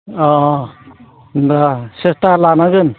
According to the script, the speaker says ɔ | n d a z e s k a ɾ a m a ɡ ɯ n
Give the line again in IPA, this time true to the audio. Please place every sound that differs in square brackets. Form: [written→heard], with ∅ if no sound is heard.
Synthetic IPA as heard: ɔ | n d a [z→s] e s [k→t] a [ɾ→l] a [m→n] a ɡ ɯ n